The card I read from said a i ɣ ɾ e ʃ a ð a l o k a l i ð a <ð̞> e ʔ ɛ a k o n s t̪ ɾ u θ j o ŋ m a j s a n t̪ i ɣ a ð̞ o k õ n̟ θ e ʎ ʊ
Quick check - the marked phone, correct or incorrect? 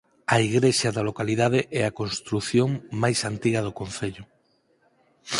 correct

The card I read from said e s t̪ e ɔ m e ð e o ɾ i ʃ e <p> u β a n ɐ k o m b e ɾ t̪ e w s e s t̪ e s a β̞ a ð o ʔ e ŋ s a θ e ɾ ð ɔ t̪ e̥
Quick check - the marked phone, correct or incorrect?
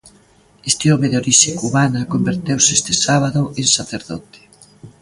incorrect: k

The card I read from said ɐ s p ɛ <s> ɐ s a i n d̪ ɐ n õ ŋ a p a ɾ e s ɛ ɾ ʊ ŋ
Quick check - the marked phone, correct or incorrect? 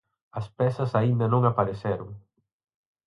correct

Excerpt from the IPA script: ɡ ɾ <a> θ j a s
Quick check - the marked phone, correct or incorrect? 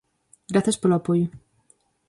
correct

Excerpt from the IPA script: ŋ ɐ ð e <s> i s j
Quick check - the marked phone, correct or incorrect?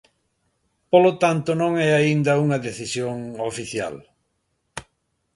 incorrect: θ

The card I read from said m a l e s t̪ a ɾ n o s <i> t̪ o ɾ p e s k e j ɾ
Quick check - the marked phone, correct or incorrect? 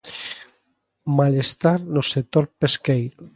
incorrect: e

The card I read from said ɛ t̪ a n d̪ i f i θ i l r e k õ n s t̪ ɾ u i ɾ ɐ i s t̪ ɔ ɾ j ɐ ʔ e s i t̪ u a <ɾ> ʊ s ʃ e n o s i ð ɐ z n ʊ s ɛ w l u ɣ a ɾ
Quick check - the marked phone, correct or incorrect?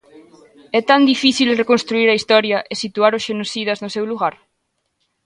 correct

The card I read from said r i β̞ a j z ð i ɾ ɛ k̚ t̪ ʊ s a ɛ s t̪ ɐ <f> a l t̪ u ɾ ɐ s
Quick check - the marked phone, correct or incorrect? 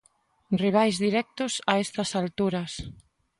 incorrect: s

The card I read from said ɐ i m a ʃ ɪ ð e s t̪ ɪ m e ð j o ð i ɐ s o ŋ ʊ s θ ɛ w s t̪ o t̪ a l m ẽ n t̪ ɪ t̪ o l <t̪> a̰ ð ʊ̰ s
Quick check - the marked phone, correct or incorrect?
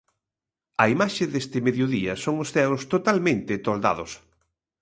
incorrect: d̪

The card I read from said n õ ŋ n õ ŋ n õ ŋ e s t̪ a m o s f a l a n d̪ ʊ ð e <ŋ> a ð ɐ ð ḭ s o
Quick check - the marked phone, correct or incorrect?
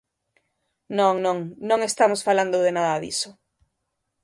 incorrect: n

